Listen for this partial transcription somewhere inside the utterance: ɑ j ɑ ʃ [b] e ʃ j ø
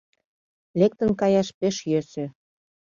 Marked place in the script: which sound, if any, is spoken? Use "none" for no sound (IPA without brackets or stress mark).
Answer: p